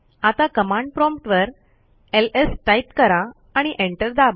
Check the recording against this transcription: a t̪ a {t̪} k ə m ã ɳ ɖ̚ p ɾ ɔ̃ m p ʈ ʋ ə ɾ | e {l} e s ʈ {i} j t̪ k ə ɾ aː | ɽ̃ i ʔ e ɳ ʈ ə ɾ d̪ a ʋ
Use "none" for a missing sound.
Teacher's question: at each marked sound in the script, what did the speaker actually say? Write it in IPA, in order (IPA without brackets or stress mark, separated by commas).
none, l, a